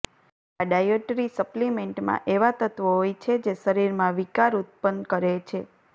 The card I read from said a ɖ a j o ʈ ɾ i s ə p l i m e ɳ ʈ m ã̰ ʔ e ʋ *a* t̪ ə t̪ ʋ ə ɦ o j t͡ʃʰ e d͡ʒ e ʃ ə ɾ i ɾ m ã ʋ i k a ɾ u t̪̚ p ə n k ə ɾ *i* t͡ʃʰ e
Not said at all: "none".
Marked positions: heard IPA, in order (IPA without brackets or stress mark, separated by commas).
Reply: a, e